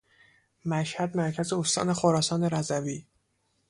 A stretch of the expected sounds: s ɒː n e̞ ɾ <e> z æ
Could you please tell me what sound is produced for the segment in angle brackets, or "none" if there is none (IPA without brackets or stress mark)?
æ